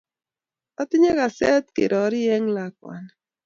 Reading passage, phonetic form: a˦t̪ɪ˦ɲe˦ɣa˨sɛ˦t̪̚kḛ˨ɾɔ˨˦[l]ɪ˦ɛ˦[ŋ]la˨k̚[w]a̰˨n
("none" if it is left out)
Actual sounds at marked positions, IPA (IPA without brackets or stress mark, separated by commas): ɾ, ŋ, w